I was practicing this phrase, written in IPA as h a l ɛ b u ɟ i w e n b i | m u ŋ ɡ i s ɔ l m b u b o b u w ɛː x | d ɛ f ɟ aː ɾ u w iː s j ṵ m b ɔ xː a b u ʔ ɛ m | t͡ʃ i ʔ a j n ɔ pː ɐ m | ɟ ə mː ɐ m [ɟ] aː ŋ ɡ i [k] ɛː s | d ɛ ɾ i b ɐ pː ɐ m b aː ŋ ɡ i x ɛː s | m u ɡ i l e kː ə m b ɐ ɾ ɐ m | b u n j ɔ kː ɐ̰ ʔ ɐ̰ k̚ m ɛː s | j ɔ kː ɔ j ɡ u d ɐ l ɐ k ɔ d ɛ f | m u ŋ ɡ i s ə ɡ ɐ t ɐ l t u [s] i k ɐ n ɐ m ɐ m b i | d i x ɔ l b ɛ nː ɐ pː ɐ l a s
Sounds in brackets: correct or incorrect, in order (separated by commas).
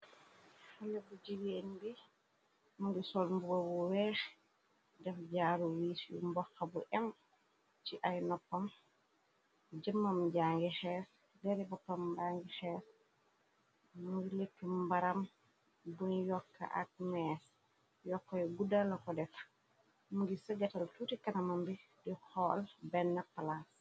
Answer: correct, incorrect, incorrect